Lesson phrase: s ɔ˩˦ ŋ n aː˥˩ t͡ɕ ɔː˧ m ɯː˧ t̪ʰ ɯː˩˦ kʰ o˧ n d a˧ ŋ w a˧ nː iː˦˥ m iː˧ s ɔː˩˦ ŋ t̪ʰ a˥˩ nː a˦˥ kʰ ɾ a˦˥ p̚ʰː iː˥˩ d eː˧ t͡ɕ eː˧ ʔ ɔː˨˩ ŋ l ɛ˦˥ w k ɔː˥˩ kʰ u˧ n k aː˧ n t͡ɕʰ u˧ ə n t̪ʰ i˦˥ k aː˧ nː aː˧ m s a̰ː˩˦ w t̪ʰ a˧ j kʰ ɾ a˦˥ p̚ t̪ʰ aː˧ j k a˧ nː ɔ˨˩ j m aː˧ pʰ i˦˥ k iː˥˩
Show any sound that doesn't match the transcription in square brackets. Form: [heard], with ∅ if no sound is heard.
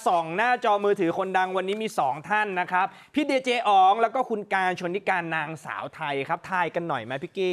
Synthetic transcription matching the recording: s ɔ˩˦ ŋ n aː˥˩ t͡ɕ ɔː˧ m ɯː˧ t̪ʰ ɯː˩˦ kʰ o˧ n d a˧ ŋ w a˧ nː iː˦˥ m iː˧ s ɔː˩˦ ŋ t̪ʰ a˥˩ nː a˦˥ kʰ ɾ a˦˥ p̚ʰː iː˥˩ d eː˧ t͡ɕ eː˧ ʔ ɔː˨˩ ŋ l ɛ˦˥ w k ɔː˥˩ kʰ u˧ n k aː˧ n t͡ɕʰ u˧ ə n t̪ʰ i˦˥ k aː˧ nː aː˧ [ŋ] s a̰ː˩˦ w t̪ʰ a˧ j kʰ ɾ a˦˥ p̚ t̪ʰ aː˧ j k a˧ nː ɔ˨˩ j m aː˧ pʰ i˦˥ k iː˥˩

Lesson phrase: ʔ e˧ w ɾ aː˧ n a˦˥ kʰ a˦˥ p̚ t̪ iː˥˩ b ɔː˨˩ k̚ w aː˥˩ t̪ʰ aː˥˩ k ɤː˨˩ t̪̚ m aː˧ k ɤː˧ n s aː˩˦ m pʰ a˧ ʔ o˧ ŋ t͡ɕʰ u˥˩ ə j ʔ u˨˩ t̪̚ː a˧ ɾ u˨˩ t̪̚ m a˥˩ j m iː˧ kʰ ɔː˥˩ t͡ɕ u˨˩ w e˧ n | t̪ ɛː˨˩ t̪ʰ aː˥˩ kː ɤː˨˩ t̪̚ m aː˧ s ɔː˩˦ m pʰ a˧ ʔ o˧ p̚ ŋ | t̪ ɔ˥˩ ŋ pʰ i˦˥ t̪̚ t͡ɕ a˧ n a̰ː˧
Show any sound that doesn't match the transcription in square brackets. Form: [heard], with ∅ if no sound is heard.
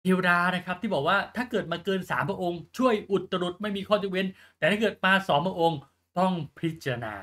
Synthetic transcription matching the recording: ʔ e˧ w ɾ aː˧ n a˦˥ kʰ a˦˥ p̚ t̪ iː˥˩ b ɔː˨˩ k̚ w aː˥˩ t̪ʰ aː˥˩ k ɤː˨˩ t̪̚ m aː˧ k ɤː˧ n s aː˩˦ m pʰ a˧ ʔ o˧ ŋ t͡ɕʰ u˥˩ ə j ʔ u˨˩ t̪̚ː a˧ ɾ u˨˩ t̪̚ m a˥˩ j m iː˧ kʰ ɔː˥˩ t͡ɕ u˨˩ w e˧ n | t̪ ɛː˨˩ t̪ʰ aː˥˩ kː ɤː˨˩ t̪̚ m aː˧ s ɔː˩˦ m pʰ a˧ ʔ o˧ [∅] ŋ | t̪ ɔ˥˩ ŋ pʰ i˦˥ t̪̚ t͡ɕ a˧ n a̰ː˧

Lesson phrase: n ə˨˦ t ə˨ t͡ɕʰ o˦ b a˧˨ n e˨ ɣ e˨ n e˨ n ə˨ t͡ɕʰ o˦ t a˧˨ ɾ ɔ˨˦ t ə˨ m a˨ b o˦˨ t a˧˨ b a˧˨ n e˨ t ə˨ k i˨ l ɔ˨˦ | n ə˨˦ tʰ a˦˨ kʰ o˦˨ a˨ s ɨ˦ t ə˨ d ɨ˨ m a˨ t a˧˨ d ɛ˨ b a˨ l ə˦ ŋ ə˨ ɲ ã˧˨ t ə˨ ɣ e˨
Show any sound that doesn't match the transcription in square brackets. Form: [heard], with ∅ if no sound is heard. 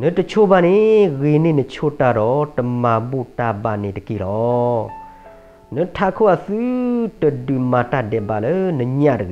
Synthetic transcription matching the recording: n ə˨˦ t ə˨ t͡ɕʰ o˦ b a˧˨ n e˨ ɣ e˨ n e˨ n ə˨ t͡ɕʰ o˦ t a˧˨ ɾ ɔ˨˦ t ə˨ m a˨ b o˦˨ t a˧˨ b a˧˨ n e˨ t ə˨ k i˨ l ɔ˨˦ | n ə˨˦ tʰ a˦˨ kʰ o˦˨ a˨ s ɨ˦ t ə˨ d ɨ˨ m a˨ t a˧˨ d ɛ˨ b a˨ l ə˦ [n] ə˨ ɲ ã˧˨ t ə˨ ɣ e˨

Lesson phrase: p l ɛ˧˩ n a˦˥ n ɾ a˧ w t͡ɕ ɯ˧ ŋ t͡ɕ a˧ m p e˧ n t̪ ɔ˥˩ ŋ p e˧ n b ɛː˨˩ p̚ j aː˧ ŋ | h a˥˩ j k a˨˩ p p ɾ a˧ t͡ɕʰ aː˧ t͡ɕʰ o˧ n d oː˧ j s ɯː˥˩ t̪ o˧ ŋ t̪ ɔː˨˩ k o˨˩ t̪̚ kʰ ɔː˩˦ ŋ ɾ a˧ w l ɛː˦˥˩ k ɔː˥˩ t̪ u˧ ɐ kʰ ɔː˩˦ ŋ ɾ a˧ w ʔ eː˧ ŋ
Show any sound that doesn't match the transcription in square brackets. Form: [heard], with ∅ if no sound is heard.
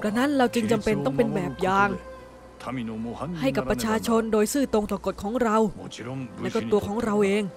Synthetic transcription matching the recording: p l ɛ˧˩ n a˦˥ n ɾ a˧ w t͡ɕ ɯ˧ ŋ t͡ɕ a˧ m p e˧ n t̪ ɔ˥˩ ŋ p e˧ n b ɛː˨˩ p̚ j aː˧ ŋ | h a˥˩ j k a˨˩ p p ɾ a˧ t͡ɕʰ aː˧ t͡ɕʰ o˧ n d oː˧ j s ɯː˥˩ t̪ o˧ ŋ t̪ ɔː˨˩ k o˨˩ t̪̚ kʰ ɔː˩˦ ŋ ɾ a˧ w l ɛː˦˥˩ k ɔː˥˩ t̪ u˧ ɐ kʰ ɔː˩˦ ŋ ɾ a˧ w ʔ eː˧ ŋ

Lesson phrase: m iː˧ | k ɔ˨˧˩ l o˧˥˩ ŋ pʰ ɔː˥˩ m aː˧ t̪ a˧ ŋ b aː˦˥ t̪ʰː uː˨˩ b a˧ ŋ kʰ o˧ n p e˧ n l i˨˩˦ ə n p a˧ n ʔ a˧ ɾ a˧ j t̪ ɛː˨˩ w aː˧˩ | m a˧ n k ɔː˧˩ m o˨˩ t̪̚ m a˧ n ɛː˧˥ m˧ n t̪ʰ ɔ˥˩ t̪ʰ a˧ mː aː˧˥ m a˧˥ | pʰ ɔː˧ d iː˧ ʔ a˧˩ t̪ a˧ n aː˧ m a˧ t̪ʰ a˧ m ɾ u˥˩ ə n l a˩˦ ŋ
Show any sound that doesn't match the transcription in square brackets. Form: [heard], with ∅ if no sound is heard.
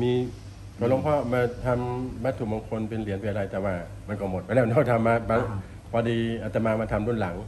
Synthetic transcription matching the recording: m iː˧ | k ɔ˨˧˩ l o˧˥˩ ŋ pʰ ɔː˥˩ m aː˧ [t̪ʰ] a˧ [m] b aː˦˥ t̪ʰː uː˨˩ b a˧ ŋ kʰ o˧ n p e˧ n l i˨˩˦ ə n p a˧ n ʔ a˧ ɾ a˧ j t̪ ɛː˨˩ w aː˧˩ | m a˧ n k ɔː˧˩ m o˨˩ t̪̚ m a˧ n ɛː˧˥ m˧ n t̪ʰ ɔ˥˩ t̪ʰ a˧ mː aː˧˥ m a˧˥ | pʰ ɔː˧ d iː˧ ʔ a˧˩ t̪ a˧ [m] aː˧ m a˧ t̪ʰ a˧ m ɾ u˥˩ ə n l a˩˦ ŋ

